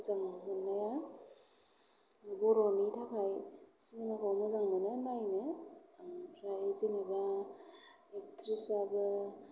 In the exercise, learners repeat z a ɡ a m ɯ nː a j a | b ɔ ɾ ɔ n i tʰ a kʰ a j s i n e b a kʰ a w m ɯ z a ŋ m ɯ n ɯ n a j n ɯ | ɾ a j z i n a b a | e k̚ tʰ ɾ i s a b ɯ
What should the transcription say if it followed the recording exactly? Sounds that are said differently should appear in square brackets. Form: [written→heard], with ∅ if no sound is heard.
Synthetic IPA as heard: z a [ɡ→ŋ] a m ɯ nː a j a | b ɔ ɾ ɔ n i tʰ a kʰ a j s i n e [b→m] a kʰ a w m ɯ z a ŋ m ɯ n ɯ n a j n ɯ | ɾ a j z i n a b a | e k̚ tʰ ɾ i s a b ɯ